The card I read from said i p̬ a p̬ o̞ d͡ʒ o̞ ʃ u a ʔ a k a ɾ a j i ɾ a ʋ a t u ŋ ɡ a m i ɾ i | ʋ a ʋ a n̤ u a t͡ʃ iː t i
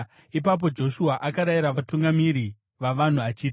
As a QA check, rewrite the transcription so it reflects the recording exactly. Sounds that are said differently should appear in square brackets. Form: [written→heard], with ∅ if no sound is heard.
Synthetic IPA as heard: i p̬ a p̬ o̞ d͡ʒ o̞ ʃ u a ʔ a k a ɾ a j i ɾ a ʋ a t u ŋ ɡ a m i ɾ i | ʋ a ʋ a n̤ u a t͡ʃ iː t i